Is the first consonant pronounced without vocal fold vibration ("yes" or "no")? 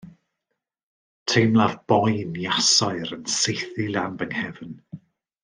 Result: yes